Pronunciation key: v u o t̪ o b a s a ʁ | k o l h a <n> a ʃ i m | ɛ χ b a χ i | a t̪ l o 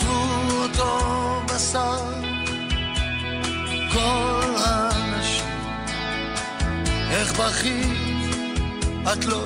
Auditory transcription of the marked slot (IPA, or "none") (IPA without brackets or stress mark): n